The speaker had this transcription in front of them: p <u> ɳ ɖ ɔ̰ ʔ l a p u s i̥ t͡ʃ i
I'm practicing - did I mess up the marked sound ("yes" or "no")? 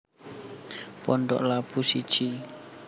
yes